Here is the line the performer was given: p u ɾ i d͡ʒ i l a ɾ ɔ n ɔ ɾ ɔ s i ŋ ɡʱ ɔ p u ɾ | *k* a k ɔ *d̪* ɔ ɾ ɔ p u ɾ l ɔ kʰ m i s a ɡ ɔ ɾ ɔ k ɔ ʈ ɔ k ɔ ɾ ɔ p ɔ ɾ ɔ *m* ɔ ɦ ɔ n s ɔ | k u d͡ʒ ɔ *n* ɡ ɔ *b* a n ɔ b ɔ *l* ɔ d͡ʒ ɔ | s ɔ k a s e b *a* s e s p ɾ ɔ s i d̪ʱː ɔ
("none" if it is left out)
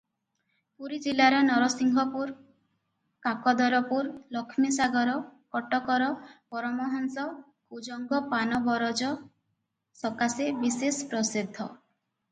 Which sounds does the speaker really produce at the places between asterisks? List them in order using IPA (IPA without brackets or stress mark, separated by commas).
k, d̪, m, ŋ, p, ɾ, i